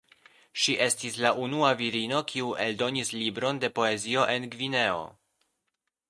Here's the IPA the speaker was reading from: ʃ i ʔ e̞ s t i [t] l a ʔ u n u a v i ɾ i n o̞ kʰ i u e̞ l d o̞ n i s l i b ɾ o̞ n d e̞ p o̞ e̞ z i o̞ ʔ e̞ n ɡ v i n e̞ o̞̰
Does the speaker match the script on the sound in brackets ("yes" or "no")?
no